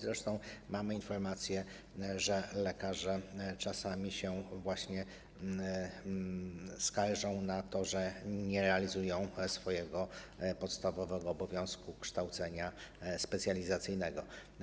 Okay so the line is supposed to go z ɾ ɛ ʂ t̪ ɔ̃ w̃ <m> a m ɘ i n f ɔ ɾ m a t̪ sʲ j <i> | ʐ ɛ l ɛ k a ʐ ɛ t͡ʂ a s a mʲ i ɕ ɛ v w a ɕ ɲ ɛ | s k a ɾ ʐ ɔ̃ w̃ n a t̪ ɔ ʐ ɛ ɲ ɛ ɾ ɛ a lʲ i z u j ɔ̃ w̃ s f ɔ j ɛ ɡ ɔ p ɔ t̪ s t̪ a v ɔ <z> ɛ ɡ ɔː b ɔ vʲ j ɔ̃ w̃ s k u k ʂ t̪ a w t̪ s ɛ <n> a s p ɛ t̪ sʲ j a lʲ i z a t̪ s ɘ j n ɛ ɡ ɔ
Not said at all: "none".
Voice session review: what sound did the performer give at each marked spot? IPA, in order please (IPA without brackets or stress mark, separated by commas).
m, ɛ, v, ɲ